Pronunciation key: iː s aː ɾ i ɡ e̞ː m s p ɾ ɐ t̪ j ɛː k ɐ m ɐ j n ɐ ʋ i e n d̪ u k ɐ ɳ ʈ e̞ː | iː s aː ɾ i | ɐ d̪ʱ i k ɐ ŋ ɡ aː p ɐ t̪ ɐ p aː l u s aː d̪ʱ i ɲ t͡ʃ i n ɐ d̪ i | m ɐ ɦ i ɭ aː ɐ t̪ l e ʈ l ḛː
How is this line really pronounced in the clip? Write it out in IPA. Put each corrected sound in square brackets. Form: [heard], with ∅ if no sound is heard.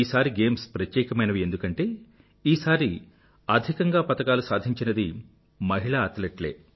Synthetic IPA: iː s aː ɾ i ɡ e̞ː m s p ɾ ɐ t̪ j ɛː k ɐ m ɐ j n ɐ ʋ i e n d̪ u k ɐ ɳ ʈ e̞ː | iː s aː ɾ i | ɐ d̪ʱ i k ɐ ŋ ɡ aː p ɐ t̪ ɐ [k] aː l u s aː d̪ʱ i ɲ t͡ʃ i n ɐ d̪ i | m ɐ ɦ i ɭ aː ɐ t̪ l e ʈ l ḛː